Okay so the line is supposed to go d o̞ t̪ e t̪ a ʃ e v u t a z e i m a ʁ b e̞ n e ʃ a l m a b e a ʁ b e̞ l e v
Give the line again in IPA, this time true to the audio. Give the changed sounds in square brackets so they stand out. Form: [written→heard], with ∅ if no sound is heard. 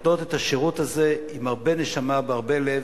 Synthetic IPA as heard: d o̞ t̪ e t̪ a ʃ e [v→ʁ] u t a z e i m a ʁ b e̞ n e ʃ a [l→∅] m a b e a ʁ b e̞ l e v